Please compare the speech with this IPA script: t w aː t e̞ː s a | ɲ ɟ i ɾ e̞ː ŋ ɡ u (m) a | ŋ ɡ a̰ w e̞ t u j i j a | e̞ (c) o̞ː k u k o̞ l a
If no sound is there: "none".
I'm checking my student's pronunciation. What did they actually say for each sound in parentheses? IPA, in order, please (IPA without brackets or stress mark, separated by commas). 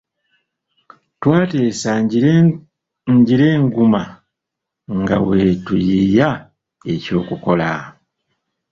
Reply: m, c